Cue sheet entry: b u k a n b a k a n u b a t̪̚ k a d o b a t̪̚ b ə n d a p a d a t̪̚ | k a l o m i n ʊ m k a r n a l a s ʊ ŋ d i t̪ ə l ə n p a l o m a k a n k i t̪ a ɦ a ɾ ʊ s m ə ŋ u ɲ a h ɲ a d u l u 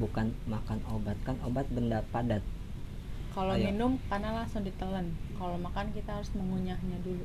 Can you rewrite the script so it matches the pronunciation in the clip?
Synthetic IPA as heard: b u k a n m a k a n o b a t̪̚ k a n o b a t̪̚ b ə n d a p a d a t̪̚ | k a l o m i n ʊ m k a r n a l a s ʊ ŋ d i t̪ ə l ə n k a l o m a k a n k i t̪ a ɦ a ɾ ʊ s m ə ŋ u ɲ a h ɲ a d u l u